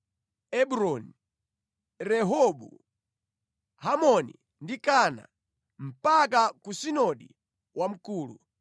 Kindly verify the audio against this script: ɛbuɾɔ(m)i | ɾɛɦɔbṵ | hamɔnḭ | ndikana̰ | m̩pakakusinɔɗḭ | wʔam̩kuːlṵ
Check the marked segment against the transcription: incorrect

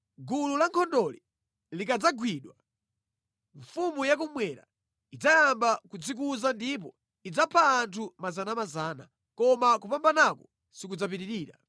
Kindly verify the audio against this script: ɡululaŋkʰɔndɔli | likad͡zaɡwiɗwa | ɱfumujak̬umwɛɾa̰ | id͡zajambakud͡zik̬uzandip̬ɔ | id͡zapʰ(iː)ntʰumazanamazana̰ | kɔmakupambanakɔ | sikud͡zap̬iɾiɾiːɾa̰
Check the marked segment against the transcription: incorrect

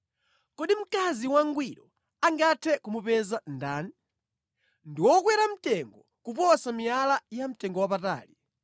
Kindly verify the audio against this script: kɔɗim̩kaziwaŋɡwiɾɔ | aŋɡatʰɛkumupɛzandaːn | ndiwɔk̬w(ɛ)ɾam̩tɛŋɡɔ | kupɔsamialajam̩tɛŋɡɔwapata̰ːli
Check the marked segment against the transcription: correct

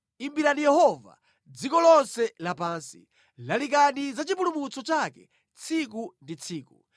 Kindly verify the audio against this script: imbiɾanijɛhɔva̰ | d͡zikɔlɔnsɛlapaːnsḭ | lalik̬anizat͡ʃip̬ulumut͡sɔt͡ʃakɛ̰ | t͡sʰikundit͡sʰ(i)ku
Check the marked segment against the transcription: incorrect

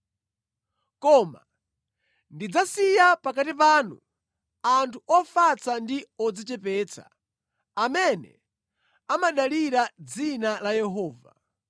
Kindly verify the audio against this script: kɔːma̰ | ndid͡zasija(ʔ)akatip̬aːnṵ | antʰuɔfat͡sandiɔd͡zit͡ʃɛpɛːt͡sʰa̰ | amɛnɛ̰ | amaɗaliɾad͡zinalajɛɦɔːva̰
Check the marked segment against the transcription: incorrect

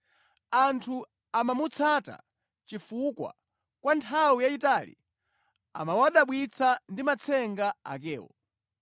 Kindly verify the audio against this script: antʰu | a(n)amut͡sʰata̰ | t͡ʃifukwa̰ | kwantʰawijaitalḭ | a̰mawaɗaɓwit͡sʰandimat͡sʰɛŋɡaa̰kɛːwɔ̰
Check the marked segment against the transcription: incorrect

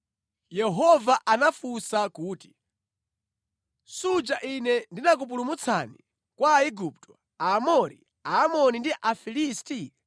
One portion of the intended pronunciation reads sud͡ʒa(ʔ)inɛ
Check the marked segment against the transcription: correct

